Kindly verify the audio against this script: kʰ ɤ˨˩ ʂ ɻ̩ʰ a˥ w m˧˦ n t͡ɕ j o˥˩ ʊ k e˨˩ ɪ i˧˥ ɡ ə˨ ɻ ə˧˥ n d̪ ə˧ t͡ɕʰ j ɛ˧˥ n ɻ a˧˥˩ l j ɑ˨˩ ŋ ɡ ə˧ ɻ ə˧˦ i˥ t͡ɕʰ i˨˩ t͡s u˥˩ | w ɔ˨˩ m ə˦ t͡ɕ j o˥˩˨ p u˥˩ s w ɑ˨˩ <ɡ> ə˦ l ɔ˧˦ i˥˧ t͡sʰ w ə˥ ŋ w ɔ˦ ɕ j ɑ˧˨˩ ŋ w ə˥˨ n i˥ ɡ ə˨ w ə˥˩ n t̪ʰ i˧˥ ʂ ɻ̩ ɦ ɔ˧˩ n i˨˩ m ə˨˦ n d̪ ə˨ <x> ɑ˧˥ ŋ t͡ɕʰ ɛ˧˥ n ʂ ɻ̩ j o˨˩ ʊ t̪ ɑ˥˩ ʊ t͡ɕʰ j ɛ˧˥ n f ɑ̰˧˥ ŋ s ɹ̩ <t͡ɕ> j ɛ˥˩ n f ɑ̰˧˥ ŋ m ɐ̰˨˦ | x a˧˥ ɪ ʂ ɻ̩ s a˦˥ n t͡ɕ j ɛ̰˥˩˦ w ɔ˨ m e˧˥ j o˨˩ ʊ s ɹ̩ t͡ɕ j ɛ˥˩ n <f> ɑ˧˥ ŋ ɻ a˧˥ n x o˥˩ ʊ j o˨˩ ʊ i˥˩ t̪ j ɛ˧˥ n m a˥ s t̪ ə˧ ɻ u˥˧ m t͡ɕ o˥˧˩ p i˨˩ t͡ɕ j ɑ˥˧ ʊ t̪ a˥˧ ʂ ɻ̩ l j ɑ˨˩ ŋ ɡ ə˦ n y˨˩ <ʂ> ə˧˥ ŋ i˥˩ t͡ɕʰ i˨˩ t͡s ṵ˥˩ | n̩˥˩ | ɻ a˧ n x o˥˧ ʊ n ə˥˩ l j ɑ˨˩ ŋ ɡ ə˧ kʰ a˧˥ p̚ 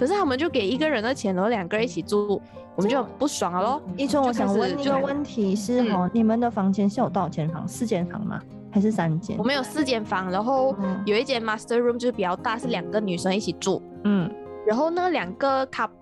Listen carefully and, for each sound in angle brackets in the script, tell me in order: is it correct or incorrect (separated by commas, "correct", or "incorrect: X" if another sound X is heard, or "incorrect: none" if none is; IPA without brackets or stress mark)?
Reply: incorrect: ŋ, incorrect: f, correct, correct, correct